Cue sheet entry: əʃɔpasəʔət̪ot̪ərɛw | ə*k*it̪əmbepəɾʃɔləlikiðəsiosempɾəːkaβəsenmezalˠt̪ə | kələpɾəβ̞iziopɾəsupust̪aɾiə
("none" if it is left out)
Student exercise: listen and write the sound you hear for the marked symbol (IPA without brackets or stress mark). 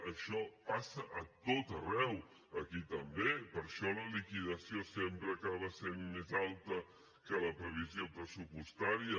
k